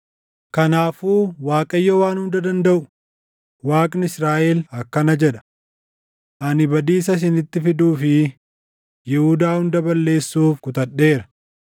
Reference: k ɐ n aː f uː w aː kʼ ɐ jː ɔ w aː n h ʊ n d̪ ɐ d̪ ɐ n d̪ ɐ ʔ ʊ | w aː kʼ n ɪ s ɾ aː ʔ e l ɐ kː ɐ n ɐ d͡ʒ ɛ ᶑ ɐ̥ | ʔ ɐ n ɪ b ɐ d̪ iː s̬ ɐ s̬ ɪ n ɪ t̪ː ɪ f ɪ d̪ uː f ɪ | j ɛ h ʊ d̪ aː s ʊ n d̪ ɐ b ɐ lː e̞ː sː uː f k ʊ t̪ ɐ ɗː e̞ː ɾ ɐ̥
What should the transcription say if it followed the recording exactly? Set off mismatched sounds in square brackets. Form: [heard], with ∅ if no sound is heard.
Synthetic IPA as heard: k ɐ n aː f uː w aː kʼ ɐ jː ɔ w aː n h ʊ n d̪ ɐ d̪ ɐ n d̪ ɐ ʔ ʊ | w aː kʼ n ɪ s ɾ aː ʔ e l ɐ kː ɐ n ɐ d͡ʒ ɛ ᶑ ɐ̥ | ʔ ɐ n ɪ b ɐ d̪ iː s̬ ɐ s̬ ɪ n ɪ t̪ː ɪ f ɪ d̪ uː f ɪ | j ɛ h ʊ d̪ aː [h] ʊ n d̪ ɐ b ɐ lː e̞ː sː uː f k ʊ t̪ ɐ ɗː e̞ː ɾ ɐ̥